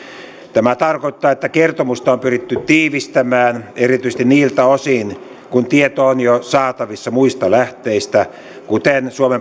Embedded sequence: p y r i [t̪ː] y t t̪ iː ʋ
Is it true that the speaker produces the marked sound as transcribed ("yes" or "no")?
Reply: yes